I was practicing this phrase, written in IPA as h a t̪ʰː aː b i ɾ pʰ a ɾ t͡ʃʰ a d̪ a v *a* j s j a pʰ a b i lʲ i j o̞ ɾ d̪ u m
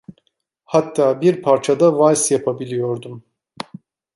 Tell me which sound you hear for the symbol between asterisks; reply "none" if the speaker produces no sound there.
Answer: a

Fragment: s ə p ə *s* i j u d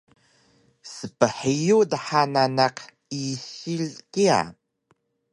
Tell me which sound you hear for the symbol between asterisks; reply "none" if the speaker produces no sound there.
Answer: ħ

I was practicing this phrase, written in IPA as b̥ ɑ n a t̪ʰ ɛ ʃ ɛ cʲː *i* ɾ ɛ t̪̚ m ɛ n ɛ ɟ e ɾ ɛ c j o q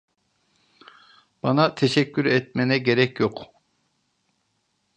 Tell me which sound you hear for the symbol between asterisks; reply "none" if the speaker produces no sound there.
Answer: y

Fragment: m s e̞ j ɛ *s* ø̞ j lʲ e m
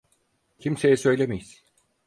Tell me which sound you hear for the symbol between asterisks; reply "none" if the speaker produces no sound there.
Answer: s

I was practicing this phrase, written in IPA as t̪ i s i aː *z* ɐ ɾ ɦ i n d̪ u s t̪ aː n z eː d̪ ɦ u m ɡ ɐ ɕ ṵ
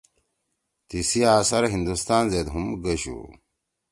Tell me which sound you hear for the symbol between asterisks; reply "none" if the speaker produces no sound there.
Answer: s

